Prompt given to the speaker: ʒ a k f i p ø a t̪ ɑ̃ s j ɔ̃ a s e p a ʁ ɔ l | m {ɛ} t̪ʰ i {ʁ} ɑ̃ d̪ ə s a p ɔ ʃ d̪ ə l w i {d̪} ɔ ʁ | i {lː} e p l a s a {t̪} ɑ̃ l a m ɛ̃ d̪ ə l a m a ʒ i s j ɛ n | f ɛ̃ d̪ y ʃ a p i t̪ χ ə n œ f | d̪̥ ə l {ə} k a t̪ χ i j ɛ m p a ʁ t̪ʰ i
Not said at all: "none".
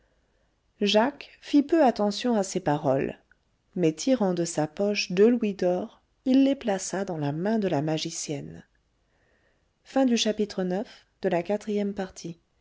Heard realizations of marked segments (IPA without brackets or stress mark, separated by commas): ɛ, ʁ, d̪, lː, d̪, a